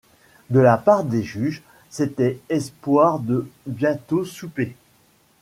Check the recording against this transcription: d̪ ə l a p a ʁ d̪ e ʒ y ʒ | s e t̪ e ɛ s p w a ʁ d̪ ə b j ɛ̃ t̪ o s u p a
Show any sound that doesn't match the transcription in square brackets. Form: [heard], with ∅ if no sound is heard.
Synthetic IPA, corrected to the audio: d̪ ə l a p a ʁ d̪ e ʒ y ʒ | s e t̪ [ɛ] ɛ s p w a ʁ d̪ ə b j ɛ̃ t̪ o s u p [e]